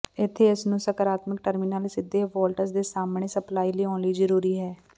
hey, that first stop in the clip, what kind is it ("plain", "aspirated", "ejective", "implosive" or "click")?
aspirated